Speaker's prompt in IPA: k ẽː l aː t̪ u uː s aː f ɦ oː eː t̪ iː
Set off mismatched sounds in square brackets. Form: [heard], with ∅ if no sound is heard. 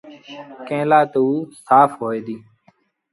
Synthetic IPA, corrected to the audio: k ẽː l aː t̪ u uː s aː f ɦ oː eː [d̪] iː